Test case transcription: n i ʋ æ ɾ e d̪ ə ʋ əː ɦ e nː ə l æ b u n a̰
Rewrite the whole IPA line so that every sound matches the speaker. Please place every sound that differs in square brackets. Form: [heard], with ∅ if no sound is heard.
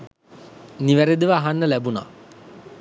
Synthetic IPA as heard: n i ʋ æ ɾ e d̪ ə ʋ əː ɦ [a] nː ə l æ b u n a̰